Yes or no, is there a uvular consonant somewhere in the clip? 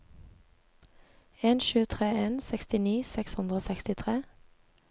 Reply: yes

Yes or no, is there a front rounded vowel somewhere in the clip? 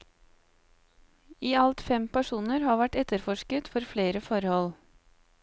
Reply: no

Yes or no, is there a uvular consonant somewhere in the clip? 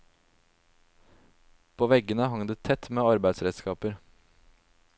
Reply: no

